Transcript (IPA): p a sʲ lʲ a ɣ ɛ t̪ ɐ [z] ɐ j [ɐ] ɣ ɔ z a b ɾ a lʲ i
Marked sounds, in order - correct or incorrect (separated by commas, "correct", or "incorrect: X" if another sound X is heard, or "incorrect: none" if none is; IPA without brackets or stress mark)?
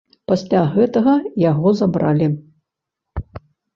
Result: incorrect: ɣ, incorrect: a